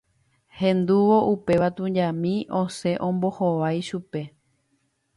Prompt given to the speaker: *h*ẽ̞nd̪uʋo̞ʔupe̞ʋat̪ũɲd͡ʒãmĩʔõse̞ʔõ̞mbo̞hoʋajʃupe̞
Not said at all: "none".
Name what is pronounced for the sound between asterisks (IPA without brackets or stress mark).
h